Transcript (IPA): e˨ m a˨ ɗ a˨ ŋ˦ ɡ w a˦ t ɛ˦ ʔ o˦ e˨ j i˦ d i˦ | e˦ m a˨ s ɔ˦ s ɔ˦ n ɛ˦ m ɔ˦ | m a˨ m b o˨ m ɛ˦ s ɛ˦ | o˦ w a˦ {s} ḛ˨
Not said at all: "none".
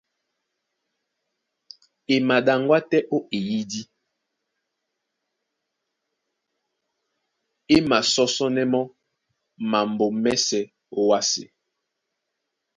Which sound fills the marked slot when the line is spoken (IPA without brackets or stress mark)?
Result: s